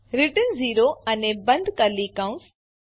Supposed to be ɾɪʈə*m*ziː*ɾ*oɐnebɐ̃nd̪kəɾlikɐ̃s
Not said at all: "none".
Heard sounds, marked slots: n, ɾ

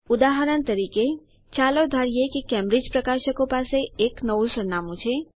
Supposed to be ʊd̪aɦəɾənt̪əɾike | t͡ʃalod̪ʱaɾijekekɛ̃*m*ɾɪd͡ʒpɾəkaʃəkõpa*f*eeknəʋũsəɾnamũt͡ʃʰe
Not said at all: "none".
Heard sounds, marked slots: m, s

